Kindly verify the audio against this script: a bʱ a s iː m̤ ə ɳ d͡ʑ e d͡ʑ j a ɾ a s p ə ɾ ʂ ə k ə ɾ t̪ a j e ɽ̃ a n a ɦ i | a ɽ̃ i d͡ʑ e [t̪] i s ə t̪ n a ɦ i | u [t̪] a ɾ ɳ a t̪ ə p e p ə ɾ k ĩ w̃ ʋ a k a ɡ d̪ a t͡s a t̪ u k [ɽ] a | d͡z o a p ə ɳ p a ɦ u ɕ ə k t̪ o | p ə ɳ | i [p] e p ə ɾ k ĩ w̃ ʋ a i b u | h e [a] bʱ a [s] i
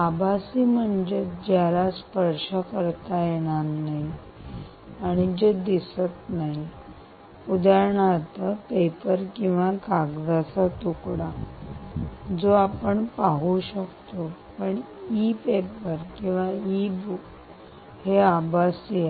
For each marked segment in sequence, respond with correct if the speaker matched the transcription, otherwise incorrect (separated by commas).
incorrect, incorrect, correct, correct, correct, correct